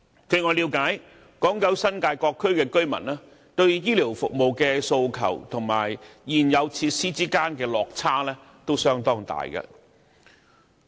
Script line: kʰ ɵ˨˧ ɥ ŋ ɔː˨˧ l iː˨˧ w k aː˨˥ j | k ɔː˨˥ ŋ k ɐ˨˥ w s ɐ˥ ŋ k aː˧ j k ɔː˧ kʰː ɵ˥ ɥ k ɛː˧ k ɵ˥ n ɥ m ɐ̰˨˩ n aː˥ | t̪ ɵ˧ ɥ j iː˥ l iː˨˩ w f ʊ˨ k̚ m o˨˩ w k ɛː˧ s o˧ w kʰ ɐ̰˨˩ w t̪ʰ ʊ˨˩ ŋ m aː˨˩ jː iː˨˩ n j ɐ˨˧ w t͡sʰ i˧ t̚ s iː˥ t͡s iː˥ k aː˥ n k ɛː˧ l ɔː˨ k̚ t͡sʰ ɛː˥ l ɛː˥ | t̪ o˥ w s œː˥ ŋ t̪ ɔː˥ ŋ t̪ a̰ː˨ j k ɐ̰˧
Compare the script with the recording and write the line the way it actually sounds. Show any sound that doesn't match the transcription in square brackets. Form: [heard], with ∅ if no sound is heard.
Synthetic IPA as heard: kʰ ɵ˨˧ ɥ ŋ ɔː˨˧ l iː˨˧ w k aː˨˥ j | k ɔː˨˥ ŋ k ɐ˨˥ w s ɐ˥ [n] k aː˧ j k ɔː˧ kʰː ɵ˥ ɥ k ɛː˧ k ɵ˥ [∅] ɥ m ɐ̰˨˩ n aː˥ | t̪ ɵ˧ ɥ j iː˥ l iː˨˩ w f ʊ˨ k̚ m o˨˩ w k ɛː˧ s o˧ w kʰ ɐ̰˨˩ w t̪ʰ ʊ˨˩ ŋ m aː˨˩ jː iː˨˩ n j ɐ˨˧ w t͡sʰ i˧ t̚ s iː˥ t͡s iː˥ k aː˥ n k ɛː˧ l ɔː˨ k̚ t͡sʰ [aː˥] l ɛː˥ | t̪ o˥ w s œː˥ ŋ t̪ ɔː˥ ŋ t̪ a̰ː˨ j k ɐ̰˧